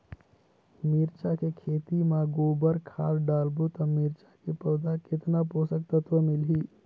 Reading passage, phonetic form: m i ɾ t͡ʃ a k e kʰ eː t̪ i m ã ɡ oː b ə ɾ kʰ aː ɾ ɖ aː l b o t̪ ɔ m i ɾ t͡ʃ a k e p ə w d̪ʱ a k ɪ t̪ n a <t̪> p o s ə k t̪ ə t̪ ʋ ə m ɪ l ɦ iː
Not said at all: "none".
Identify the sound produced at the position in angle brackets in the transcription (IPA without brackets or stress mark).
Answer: none